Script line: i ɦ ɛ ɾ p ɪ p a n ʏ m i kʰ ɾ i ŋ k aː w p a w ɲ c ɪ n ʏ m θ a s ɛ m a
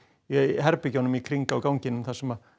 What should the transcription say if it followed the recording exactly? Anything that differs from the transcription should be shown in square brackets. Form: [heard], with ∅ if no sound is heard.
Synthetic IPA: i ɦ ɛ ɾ p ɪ [c] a n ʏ m i kʰ ɾ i ŋ k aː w [k] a w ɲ c ɪ n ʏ m θ a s ɛ m a